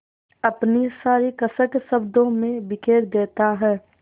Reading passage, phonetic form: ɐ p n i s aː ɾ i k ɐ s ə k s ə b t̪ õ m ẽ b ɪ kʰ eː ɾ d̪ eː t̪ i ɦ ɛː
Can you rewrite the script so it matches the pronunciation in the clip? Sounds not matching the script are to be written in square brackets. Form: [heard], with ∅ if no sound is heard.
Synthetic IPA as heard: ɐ p n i s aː ɾ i k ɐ s ə k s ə b [d̪] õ m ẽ b ɪ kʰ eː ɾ d̪ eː t̪ [a] ɦ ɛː